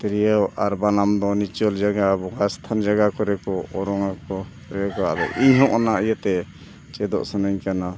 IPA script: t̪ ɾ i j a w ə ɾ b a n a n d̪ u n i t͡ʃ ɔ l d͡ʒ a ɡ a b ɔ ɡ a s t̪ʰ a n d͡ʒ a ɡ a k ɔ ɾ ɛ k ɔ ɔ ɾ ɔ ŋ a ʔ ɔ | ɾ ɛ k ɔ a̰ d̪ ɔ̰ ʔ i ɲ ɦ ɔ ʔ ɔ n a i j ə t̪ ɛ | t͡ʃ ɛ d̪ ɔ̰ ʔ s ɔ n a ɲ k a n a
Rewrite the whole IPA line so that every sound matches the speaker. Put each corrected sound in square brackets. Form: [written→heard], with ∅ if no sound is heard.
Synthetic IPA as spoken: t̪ ɾ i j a w [ə→a] ɾ b a n a [n→m] d̪ [u→ɔ] n i t͡ʃ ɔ l d͡ʒ a ɡ a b ɔ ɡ a s t̪ʰ a n d͡ʒ a ɡ a k ɔ ɾ ɛ k ɔ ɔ ɾ ɔ ŋ a [ʔ→k] ɔ | ɾ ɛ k ɔ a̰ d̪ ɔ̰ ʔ i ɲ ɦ ɔ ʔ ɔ n a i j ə t̪ ɛ | t͡ʃ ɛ d̪ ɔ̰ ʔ s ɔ n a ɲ k a n a

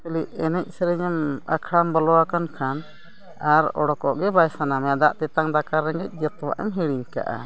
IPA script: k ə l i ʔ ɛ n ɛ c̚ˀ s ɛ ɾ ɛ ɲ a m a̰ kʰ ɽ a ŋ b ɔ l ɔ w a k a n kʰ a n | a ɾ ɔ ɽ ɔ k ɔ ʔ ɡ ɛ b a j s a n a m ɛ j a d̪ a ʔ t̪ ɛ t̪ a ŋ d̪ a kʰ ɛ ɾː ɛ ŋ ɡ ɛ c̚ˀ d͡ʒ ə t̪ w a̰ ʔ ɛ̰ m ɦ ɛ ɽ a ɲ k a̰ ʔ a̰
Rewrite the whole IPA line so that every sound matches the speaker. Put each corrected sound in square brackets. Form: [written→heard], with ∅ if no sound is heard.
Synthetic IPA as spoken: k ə l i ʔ ɛ n ɛ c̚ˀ s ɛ ɾ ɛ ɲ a m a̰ kʰ ɽ a [ŋ→m] b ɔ l ɔ w a k a n kʰ a n | a ɾ ɔ ɽ ɔ k ɔ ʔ ɡ ɛ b a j s a n a m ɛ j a d̪ a ʔ t̪ ɛ t̪ a ŋ d̪ a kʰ [ɛ→a] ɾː ɛ ŋ ɡ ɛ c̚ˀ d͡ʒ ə t̪ w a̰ ʔ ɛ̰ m ɦ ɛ ɽ [a→i] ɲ k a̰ ʔ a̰

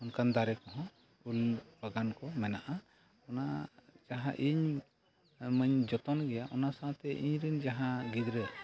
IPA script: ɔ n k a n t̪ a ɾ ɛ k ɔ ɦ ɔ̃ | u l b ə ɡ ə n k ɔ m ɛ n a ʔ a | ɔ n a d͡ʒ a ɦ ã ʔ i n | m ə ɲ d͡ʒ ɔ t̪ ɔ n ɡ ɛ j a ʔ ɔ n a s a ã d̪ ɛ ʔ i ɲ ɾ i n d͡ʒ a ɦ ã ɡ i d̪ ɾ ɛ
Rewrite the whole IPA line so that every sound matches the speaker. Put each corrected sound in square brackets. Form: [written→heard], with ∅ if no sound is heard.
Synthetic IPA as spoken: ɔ n k a n [t̪→d̪] a ɾ ɛ k ɔ ɦ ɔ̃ | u l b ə ɡ [ə→a] n k ɔ m ɛ n a ʔ a | ɔ n a d͡ʒ a ɦ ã ʔ i [n→ɲ] | m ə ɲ d͡ʒ ɔ t̪ ɔ n ɡ ɛ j a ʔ ɔ n a s a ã [d̪→t̪] ɛ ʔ i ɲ ɾ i n d͡ʒ a ɦ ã ɡ i d̪ ɾ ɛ

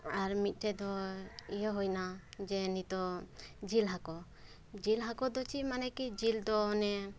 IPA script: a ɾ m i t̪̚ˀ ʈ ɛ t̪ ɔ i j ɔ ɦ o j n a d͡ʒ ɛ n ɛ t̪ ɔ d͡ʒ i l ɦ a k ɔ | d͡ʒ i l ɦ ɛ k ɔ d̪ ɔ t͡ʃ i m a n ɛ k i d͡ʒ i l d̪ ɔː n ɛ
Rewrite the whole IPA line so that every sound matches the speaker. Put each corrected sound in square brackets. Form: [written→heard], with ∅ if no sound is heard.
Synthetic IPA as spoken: a ɾ m i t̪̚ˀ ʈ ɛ [t̪→d̪] ɔ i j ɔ ɦ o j n a d͡ʒ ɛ n [ɛ→i] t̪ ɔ d͡ʒ i l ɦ a k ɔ | d͡ʒ i l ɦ [ɛ→a] k ɔ d̪ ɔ t͡ʃ i m a n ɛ k i d͡ʒ i l d̪ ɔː n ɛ

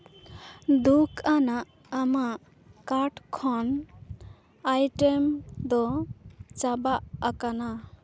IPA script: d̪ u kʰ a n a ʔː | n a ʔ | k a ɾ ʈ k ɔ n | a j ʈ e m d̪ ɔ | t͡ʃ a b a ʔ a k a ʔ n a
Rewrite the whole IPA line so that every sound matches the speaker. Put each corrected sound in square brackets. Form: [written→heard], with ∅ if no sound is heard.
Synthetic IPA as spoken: d̪ u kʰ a n a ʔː | [n→m] a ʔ | k a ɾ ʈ [k→kʰ] ɔ n | a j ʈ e m d̪ ɔ | t͡ʃ a b a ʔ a k a [ʔ→∅] n a

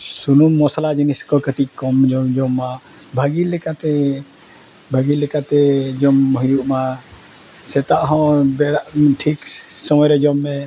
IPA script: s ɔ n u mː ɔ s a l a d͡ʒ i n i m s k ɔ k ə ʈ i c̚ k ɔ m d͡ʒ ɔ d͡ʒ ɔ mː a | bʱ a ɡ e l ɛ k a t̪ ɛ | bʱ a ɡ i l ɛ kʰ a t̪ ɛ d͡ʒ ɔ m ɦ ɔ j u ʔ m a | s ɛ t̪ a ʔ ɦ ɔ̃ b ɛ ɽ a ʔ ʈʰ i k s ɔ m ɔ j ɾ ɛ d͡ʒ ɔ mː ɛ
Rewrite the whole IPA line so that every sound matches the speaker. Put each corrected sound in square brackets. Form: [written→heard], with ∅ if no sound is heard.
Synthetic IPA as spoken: s [ɔ→u] n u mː ɔ s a l a d͡ʒ i n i [m→∅] s k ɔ k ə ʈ i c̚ k ɔ m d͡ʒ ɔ d͡ʒ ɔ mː a | bʱ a ɡ [e→i] l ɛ k a t̪ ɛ | bʱ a ɡ i l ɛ [kʰ→k] a t̪ ɛ d͡ʒ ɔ m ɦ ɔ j u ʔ m a | s ɛ t̪ a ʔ ɦ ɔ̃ b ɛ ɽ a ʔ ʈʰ i k s ɔ m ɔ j ɾ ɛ d͡ʒ ɔ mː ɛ

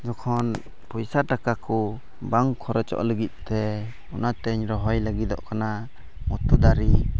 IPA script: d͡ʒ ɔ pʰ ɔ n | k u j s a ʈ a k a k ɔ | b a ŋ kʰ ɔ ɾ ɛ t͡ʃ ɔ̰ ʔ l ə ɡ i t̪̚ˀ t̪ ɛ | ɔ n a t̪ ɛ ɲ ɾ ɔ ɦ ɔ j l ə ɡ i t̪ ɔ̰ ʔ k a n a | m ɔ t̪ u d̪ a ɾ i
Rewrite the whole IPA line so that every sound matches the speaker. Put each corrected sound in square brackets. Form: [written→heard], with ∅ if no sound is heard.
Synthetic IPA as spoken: d͡ʒ ɔ [pʰ→kʰ] ɔ n | [k→p] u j s a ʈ a k a k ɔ | b a ŋ kʰ ɔ ɾ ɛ t͡ʃ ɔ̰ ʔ l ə ɡ i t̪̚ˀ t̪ ɛ | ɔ n a t̪ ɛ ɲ ɾ ɔ ɦ ɔ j l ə ɡ i [t̪→d̪] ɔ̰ ʔ k a n a | m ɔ t̪ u d̪ a ɾ i

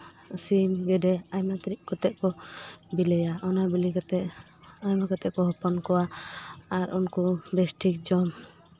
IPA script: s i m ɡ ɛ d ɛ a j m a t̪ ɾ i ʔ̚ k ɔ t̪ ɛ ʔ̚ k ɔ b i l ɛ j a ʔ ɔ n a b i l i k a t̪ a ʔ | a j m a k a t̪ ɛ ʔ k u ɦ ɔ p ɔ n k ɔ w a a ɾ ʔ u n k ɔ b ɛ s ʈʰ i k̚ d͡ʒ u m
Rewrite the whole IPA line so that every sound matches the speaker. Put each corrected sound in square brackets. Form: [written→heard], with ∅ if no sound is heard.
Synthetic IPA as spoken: s i m ɡ ɛ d ɛ a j m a t̪ ɾ i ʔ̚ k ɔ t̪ ɛ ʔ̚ k ɔ b i l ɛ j a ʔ ɔ n a b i l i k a t̪ [a→ɛ] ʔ | a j m a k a t̪ ɛ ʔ k [u→ɔ] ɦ ɔ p ɔ n k ɔ w a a ɾ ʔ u n k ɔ b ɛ s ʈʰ i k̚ d͡ʒ [u→ɔ] m

